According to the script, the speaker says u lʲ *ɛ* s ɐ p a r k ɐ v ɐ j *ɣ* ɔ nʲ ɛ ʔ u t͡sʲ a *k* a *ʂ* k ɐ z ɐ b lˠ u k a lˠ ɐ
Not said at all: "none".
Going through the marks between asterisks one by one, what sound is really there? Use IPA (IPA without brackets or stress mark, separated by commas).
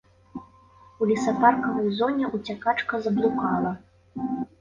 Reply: i, z, k, t͡ʂ